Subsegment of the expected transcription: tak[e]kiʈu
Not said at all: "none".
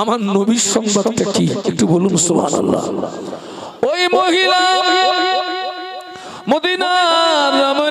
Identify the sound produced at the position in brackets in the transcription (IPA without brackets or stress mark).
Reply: i